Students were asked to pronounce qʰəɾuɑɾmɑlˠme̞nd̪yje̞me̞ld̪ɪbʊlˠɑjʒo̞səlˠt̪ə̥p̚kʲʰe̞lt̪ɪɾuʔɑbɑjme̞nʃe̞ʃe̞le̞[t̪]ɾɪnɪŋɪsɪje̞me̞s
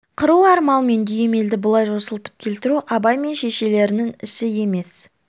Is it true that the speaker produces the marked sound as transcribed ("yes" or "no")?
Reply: no